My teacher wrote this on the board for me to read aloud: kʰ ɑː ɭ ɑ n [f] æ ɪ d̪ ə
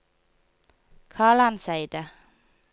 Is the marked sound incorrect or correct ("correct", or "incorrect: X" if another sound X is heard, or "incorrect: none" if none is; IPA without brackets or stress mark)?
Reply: incorrect: s